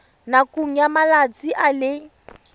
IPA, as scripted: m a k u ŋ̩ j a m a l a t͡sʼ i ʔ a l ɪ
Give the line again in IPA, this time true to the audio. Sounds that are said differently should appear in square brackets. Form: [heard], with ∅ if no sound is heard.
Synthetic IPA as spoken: [n] a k u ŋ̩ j a m a l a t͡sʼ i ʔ a l ɪ